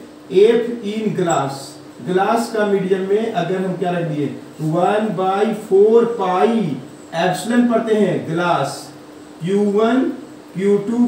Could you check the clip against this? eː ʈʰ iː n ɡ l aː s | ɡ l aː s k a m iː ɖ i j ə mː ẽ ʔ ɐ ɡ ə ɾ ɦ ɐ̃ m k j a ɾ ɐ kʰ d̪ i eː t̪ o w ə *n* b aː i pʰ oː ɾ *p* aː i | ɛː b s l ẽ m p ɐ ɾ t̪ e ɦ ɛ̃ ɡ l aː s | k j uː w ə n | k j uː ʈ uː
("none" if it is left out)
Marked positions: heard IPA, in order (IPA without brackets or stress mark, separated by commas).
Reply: n, p